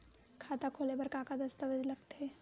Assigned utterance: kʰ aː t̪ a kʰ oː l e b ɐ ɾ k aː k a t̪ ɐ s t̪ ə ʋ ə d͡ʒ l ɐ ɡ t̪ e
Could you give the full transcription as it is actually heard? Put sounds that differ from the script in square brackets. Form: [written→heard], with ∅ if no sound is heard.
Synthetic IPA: kʰ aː t̪ a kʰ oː l e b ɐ ɾ k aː k a [t̪→d̪] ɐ s t̪ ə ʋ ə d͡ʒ l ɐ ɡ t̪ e